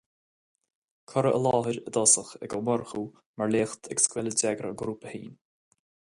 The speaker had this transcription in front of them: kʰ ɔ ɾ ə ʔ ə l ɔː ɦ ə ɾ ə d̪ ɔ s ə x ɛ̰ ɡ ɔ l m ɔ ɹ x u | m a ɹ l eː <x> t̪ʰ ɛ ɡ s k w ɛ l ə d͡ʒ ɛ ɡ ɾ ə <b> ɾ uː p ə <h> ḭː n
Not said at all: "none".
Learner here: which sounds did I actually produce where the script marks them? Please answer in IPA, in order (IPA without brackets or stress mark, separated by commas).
x, ɡ, h